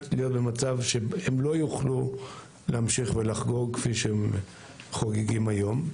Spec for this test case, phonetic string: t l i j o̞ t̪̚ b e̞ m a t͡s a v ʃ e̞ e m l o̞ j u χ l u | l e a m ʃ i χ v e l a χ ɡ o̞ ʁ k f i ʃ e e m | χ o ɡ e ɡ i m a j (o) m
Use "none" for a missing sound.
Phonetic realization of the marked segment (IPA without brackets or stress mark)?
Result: o